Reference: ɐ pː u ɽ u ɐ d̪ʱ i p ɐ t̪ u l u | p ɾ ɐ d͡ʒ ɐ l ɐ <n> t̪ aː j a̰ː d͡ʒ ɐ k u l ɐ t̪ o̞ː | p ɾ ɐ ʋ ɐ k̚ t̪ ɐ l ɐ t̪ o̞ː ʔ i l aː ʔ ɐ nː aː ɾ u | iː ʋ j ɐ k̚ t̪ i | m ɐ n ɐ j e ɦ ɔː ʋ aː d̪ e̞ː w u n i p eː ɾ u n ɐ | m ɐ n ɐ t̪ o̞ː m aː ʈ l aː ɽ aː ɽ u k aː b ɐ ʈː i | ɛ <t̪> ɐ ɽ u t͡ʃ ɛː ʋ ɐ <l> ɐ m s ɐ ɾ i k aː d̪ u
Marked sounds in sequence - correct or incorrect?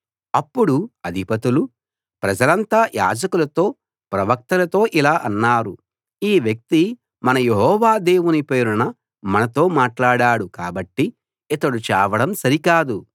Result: correct, correct, incorrect: ɽ

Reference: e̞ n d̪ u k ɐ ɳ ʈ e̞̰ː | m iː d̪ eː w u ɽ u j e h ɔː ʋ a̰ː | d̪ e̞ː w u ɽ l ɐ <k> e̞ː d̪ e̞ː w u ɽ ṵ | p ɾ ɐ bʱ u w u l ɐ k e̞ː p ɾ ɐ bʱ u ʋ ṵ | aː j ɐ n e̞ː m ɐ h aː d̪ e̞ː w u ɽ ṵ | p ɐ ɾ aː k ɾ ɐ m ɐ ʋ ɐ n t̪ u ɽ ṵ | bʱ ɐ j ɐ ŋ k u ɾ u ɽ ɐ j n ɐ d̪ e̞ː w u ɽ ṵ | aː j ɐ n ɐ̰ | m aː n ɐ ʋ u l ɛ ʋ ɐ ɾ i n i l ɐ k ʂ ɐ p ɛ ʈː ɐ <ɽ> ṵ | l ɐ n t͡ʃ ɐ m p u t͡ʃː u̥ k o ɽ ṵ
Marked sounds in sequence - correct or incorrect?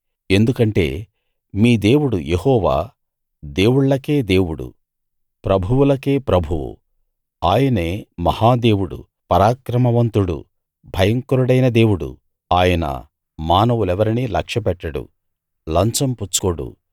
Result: correct, correct

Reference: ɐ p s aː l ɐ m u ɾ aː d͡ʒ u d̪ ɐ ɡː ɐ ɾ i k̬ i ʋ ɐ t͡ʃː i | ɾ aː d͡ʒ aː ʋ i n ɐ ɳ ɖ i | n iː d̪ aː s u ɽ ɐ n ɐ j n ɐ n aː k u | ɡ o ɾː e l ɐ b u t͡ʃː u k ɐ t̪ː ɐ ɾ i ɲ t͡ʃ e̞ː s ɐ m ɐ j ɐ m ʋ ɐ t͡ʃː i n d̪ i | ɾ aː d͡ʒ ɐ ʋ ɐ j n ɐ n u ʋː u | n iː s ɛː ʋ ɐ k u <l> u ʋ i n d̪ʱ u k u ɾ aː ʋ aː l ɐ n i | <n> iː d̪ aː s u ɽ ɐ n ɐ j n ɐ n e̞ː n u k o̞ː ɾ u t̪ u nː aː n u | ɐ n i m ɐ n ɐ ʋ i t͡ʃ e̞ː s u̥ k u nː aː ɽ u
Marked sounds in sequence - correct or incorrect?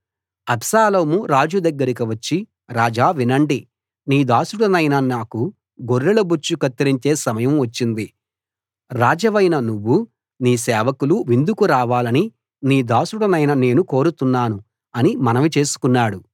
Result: correct, correct

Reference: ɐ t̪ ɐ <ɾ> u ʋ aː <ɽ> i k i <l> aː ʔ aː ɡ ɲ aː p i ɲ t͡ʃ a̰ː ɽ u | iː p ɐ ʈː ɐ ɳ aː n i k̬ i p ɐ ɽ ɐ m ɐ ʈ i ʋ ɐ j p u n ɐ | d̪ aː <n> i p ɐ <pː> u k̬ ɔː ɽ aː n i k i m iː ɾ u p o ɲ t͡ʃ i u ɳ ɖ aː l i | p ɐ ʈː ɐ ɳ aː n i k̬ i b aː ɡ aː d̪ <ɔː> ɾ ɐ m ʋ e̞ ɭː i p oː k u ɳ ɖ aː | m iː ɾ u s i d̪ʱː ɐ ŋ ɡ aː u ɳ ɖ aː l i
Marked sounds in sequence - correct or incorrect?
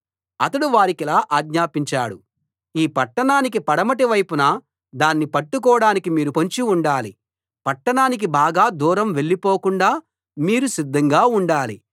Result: incorrect: ɽ, incorrect: ɾ, correct, incorrect: nː, incorrect: ʈː, incorrect: uː

